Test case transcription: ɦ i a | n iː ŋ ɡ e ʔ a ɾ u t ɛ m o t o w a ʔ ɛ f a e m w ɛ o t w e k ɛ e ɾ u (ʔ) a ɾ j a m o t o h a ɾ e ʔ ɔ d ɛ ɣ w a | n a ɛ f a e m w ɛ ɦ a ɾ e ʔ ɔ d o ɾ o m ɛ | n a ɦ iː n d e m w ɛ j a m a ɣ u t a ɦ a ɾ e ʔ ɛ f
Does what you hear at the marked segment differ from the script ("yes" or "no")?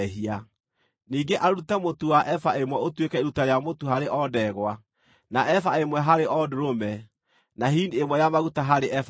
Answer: yes